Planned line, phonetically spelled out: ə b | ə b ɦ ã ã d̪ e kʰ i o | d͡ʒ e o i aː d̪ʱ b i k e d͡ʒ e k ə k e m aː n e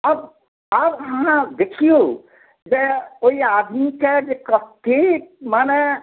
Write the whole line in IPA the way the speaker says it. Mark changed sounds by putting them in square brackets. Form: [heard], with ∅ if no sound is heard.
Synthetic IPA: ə b | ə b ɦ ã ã d̪ e kʰ i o | d͡ʒ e o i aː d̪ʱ [m] i k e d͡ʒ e k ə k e m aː n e